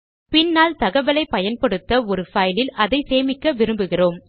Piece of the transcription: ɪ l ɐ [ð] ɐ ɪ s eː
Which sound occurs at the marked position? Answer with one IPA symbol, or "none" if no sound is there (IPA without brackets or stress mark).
ð